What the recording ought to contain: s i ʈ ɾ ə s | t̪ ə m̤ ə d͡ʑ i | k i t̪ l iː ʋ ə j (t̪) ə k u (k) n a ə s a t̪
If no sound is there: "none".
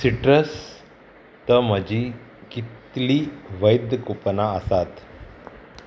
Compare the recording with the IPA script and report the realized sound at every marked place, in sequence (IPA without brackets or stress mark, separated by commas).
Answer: d̪, p